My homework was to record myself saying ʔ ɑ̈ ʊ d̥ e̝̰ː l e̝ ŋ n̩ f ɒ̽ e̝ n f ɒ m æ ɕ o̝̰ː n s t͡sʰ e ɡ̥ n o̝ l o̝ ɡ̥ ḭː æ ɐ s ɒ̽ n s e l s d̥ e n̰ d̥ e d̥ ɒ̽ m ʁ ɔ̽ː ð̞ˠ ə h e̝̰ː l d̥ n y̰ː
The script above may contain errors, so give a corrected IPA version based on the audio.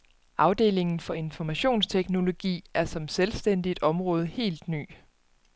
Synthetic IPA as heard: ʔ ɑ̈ ʊ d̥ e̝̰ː l e̝ ŋ n̩ f ɒ̽ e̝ n f ɒ m æ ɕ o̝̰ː n s t͡sʰ e ɡ̥ n o̝ l o̝ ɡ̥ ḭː æ ɐ s ɒ̽ m s e l s d̥ e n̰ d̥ i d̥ ɒ̽ m ʁ ɔ̽ː ð̞ˠ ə h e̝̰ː l d̥ n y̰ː